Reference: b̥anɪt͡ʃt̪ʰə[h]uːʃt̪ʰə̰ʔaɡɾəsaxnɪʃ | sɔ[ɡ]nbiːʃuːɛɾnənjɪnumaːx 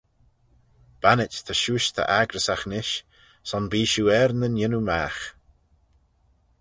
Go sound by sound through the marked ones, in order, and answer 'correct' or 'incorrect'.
incorrect, incorrect

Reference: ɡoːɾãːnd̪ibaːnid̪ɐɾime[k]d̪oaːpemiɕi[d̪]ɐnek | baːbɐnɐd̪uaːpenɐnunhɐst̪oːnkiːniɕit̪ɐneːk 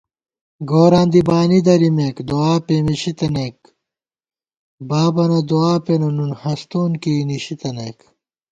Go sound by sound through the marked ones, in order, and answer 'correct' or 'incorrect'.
correct, incorrect

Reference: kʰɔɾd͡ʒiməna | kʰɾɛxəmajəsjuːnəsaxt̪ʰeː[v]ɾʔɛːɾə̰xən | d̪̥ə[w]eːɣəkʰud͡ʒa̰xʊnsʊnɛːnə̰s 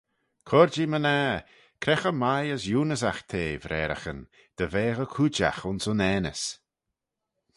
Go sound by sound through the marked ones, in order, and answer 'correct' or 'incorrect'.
correct, incorrect

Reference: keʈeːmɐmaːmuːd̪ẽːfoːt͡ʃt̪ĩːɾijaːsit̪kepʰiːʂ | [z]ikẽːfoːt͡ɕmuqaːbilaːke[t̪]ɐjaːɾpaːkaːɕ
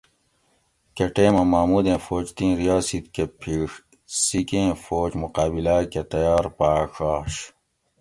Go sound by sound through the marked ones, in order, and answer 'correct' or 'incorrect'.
incorrect, correct

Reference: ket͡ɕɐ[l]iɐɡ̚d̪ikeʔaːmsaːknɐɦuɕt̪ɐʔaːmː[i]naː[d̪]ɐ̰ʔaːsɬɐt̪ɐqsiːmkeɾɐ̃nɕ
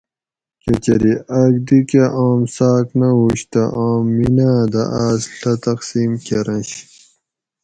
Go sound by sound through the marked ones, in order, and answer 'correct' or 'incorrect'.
incorrect, correct, correct

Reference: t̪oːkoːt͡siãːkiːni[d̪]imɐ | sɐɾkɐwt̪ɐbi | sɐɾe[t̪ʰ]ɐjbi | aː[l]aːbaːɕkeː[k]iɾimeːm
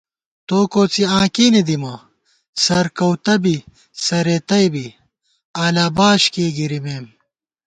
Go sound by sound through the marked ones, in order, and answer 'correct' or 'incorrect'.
correct, incorrect, correct, incorrect

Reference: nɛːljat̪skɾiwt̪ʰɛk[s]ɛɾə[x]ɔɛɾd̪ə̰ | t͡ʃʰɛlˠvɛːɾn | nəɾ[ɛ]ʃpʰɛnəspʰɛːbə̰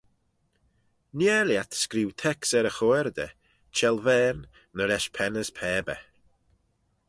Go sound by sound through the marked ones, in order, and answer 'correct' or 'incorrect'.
correct, correct, correct

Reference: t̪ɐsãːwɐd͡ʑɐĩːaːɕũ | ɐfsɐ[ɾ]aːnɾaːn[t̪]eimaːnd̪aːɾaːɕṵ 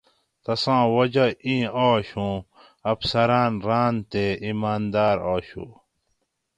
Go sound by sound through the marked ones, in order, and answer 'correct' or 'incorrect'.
correct, correct

